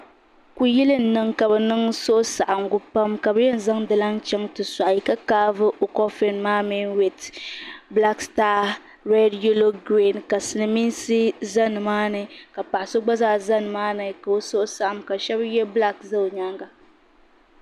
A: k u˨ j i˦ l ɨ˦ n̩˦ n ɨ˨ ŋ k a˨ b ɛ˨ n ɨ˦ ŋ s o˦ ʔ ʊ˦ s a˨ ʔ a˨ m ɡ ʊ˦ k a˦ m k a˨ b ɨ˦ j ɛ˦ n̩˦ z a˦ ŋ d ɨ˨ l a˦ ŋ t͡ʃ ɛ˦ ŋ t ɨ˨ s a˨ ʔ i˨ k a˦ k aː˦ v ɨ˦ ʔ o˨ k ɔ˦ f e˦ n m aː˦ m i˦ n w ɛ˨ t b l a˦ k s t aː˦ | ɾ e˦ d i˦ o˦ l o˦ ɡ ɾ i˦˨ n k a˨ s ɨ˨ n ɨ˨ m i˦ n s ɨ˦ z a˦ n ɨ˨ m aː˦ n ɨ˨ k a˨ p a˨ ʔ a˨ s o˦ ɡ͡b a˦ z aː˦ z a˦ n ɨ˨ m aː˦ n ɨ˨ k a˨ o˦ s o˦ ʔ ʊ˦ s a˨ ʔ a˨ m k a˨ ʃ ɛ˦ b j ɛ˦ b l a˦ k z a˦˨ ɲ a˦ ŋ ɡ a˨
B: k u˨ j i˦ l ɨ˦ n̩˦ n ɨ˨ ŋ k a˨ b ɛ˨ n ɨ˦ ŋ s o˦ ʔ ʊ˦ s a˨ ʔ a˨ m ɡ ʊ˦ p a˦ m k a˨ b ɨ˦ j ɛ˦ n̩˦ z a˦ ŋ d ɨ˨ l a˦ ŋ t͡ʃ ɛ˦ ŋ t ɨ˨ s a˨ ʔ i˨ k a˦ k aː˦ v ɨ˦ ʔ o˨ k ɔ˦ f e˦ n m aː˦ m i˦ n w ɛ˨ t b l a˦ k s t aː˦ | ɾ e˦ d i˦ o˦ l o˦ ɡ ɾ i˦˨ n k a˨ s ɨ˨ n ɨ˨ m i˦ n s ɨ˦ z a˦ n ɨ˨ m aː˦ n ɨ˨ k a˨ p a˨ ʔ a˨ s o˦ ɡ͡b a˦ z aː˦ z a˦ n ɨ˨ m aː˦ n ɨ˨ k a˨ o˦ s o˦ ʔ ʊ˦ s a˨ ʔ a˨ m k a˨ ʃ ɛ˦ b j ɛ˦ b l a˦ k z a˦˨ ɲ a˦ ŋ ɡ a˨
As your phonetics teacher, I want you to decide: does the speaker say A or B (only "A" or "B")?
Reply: B